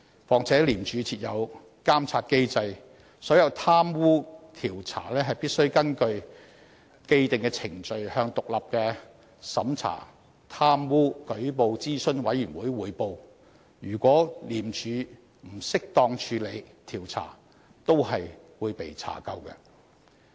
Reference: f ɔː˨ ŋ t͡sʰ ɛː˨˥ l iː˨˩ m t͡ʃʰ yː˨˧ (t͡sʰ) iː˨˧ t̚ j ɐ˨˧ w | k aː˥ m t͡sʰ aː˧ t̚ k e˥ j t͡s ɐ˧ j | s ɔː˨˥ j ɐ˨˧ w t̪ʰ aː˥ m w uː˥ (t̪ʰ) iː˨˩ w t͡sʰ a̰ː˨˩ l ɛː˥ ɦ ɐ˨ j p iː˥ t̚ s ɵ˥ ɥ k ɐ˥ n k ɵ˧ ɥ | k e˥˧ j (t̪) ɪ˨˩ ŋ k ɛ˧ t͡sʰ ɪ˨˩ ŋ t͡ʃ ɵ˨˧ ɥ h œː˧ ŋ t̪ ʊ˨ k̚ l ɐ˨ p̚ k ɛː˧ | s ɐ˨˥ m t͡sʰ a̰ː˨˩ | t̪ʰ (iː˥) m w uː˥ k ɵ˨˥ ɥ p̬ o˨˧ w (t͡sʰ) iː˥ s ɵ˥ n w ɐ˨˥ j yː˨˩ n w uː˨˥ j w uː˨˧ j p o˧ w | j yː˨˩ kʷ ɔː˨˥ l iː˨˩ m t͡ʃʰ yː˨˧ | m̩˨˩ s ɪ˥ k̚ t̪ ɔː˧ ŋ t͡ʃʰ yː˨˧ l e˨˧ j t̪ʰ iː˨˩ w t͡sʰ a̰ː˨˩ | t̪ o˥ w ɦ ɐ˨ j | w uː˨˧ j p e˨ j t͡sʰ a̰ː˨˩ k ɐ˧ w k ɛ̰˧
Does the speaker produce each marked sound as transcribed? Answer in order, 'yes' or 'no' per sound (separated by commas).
yes, yes, yes, no, no